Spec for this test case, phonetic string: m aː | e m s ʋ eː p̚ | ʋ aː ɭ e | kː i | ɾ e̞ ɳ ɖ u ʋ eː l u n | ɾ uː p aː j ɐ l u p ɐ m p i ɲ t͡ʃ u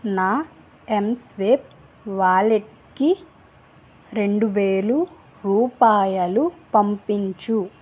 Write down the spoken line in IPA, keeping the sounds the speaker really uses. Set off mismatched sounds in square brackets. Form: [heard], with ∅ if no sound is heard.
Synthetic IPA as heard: [n] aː | e m s ʋ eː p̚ | ʋ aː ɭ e | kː i | ɾ e̞ ɳ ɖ u ʋ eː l u [∅] | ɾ uː p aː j ɐ l u p ɐ m p i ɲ t͡ʃ u